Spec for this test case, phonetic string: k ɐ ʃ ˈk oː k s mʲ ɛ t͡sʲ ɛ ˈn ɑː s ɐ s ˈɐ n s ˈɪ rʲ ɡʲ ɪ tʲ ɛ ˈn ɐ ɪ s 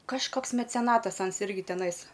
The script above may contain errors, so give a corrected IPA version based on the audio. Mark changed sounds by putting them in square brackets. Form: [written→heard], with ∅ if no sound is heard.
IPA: k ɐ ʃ ˈk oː k s mʲ ɛ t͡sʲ ɛ ˈn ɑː [s→t] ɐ s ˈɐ n s ˈɪ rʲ ɡʲ ɪ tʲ ɛ ˈn ɐ ɪ s